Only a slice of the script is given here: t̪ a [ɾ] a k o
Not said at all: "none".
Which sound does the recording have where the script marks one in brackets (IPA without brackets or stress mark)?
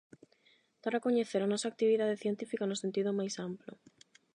ɾ